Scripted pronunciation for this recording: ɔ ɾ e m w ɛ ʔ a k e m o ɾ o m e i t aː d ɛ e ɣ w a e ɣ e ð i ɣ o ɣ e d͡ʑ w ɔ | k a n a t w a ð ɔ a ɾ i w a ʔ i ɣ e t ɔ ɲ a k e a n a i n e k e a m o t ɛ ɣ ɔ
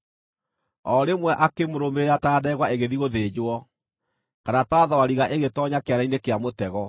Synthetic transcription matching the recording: ɔ ɾ e m w ɛ ʔ a k e m o ɾ o m e a t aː d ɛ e ɣ w a e ɣ e ð i ɣ o ð e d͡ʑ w ɔ | k a n a t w a ð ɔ a ɾ i ɣ a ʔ e ɣ e t ɔ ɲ a k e a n a i n e k e a m o t ɛ ɣ ɔ